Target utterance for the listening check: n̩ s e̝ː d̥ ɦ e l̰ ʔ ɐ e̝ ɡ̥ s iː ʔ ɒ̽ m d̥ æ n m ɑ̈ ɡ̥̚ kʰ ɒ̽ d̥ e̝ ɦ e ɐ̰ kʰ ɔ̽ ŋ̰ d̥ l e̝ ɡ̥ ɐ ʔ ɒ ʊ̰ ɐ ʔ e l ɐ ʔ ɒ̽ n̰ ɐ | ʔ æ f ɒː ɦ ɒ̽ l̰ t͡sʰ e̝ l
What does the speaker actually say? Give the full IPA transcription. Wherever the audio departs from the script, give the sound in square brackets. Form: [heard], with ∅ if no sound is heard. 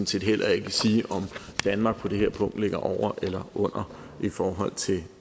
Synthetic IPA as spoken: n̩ s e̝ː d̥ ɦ e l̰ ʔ ɐ e̝ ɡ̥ s iː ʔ ɒ̽ m d̥ æ n m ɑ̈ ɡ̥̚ [pʰ] ɒ̽ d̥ e̝ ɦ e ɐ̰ [pʰ] ɔ̽ ŋ̰ d̥ l e̝ ɡ̥ ɐ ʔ ɒ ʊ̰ ɐ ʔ e l ɐ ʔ [ɔ̽] n̰ ɐ | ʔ [i] f ɒː ɦ ɒ̽ l̰ t͡sʰ e̝ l